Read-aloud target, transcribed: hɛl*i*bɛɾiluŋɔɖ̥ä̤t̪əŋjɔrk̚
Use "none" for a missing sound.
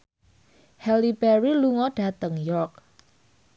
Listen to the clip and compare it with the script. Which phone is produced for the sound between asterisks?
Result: i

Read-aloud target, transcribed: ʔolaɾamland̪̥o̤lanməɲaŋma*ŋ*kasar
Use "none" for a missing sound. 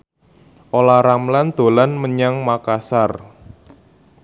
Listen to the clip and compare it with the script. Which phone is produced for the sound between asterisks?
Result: none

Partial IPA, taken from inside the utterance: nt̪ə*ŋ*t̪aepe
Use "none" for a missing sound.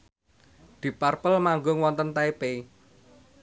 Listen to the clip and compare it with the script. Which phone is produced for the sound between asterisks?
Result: n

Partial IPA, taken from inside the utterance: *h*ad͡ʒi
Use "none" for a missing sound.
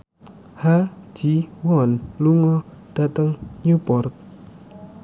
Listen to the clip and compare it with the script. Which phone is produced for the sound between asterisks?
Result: h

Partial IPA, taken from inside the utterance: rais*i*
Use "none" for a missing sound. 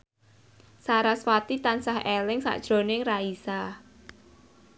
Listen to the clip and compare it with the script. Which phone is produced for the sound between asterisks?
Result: a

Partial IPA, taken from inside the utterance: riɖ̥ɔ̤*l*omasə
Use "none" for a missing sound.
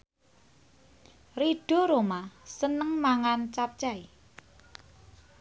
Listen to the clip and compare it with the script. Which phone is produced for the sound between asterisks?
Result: ɾ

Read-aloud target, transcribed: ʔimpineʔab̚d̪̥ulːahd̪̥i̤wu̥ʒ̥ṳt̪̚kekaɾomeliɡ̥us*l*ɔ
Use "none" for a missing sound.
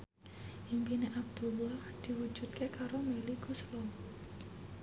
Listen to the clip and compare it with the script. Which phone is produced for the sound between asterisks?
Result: l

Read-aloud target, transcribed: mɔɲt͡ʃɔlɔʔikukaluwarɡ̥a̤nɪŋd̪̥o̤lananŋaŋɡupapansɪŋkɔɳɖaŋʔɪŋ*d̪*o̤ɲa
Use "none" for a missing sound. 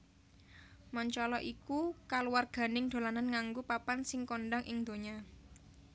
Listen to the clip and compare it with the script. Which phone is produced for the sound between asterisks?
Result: d̪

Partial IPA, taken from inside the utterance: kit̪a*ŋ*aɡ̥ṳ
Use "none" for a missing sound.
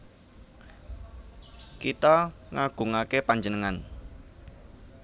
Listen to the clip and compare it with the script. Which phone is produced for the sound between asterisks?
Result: ŋ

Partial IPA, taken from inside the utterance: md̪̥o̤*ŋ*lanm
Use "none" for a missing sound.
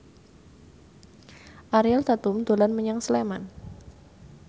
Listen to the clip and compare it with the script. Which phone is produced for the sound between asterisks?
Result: none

